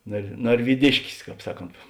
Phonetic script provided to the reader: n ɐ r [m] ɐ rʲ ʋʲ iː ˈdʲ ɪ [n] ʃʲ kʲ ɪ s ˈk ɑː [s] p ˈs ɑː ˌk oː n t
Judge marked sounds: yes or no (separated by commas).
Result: no, no, no